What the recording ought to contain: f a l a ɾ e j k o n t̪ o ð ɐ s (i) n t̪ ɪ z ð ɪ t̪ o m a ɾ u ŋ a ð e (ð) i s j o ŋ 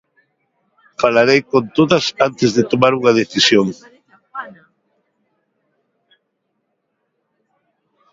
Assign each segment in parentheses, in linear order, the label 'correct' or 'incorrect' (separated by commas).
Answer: incorrect, incorrect